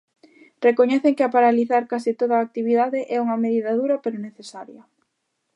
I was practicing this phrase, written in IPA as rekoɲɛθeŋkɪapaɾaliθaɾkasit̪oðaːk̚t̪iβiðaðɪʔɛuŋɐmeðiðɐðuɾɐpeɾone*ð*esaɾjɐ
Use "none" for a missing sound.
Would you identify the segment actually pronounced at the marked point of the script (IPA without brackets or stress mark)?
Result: θ